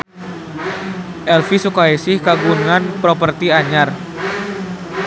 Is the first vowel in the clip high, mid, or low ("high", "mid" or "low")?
mid